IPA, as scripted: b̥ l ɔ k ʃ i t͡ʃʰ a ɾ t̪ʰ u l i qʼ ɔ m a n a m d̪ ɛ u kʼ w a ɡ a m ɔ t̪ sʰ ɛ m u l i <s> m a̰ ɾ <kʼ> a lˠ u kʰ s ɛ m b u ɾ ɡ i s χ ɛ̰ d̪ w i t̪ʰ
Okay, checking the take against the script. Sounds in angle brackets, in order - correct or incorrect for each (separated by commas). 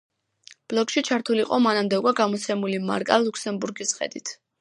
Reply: incorrect, correct